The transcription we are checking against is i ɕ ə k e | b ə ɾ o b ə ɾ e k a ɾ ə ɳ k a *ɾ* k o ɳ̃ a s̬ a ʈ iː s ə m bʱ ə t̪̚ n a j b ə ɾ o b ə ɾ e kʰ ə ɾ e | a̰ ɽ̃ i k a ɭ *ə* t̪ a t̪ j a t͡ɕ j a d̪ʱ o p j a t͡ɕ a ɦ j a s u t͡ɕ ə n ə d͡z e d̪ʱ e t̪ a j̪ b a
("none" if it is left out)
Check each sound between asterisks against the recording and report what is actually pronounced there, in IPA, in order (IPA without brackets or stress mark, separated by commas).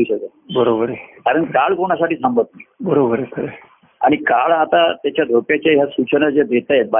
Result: ɭ, a